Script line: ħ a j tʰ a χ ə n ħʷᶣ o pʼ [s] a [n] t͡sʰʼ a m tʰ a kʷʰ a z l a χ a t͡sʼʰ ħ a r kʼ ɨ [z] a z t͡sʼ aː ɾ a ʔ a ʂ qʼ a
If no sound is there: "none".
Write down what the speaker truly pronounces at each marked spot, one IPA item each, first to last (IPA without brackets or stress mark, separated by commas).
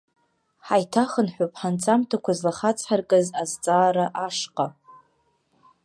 ħ, n, z